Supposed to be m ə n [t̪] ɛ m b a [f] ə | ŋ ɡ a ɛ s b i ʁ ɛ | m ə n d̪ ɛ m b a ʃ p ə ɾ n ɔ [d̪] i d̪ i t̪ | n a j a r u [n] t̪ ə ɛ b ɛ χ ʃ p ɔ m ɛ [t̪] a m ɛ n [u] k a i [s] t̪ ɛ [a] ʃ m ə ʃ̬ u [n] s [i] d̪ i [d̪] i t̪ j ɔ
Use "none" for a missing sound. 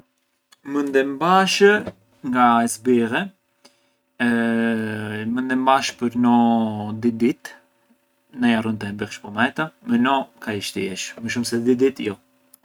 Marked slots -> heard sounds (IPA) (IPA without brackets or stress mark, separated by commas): d̪, ʃ, d̪, n, t̪, ɔ, ʃ, ɛ, m, ɛ, d̪